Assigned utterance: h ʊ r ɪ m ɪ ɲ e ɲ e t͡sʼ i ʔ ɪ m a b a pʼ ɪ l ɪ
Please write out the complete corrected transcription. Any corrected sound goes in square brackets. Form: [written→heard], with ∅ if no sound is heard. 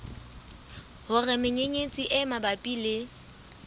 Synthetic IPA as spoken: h ʊ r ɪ m ɪ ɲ e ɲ e t͡sʼ i ʔ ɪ m a b a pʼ [ɪ→i] l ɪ